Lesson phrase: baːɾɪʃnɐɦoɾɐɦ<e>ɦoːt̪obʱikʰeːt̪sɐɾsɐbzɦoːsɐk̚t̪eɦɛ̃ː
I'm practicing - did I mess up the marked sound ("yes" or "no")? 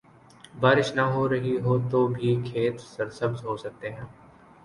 yes